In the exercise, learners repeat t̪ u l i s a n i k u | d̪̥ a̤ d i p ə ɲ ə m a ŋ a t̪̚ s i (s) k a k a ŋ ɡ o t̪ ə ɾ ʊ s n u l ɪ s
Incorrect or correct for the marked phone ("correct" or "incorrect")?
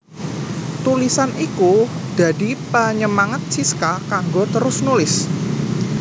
correct